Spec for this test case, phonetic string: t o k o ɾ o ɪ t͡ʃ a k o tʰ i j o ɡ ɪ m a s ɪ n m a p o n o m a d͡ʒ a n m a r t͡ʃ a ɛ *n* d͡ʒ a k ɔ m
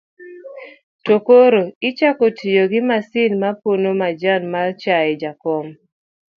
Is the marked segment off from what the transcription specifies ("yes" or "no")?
yes